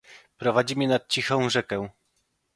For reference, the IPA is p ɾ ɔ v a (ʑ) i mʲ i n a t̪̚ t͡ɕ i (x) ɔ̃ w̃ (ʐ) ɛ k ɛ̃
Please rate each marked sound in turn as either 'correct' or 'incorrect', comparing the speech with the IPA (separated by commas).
incorrect, correct, correct